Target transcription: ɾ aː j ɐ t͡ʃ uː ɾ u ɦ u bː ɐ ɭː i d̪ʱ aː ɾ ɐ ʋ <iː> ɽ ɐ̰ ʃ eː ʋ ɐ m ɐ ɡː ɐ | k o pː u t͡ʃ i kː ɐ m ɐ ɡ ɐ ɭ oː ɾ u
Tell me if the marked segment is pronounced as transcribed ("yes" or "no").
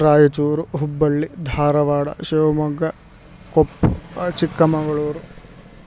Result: no